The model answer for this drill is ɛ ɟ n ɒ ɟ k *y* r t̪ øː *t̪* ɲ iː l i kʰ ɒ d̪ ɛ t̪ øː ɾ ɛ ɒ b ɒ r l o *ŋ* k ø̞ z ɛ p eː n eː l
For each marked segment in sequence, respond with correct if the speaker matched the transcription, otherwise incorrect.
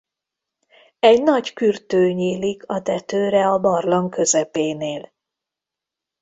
correct, incorrect, correct

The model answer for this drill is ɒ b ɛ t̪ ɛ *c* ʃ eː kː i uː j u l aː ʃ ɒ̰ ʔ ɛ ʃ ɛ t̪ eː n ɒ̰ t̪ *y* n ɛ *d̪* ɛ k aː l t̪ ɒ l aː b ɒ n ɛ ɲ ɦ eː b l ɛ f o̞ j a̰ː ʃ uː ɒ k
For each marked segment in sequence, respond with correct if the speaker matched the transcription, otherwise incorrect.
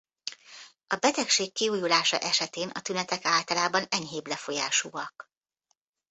incorrect, correct, incorrect

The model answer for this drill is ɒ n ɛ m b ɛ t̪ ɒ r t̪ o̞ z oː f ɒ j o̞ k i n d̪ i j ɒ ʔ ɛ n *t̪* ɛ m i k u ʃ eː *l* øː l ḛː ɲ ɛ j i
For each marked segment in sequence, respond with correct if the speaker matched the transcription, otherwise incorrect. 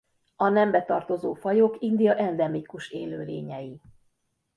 incorrect, correct

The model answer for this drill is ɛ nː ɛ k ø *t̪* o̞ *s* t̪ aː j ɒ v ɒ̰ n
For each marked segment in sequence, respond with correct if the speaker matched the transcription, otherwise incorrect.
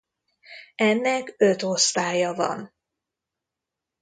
correct, correct

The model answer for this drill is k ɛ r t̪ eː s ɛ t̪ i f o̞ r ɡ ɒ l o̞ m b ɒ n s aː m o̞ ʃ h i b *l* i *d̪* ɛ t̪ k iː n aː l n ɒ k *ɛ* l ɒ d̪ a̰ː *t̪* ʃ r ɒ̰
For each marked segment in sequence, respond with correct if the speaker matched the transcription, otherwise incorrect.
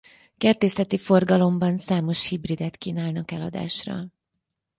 incorrect, correct, correct, incorrect

